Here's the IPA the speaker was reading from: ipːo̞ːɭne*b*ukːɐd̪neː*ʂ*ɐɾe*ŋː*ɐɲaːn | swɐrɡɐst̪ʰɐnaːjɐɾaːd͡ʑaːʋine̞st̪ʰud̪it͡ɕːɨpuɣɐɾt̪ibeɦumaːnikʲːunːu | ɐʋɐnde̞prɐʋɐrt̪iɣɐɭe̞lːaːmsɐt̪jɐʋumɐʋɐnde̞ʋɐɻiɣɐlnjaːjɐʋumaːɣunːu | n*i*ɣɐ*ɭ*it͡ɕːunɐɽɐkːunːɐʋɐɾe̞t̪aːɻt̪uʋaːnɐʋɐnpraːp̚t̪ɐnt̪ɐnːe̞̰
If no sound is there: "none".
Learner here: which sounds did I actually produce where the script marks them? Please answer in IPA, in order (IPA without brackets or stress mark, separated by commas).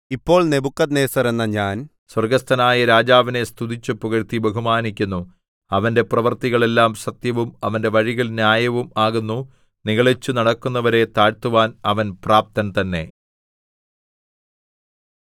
b, s, nː, i, ɭ